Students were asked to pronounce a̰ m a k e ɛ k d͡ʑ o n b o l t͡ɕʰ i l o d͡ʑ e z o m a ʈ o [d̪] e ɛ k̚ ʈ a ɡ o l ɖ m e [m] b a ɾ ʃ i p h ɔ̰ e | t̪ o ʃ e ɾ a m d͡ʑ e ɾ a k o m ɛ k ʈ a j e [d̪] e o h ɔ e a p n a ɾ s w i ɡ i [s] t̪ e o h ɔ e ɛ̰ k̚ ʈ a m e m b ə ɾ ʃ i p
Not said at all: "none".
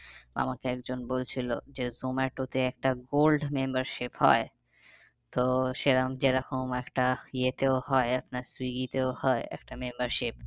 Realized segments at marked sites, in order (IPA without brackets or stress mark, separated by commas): t̪, m, t̪, none